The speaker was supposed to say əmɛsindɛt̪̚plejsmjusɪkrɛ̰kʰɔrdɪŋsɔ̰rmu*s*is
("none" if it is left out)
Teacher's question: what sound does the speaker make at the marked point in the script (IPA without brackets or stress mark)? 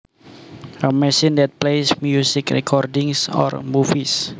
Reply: f